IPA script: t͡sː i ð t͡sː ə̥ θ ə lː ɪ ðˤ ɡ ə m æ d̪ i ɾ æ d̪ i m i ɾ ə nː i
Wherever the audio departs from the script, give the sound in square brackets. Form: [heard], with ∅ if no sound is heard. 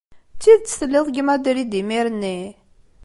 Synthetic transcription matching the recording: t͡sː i ð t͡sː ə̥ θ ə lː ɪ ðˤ ɡ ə m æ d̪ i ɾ [i] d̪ i m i ɾ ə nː i